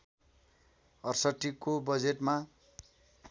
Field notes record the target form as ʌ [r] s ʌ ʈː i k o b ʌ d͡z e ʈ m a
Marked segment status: correct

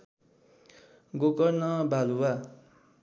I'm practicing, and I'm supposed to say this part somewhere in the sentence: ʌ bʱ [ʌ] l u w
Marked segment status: incorrect: a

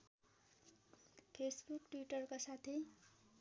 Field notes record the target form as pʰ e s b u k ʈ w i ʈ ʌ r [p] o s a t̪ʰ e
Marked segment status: incorrect: k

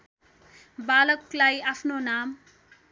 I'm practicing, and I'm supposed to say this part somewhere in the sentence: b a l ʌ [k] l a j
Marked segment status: correct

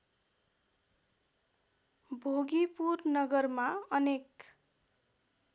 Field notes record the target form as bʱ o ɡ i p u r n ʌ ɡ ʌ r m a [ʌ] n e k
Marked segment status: correct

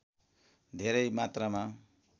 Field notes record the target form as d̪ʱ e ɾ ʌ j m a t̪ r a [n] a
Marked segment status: incorrect: m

